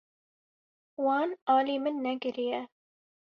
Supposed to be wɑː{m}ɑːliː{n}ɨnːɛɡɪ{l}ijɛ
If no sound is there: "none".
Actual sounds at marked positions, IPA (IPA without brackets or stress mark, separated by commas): n, m, ɾ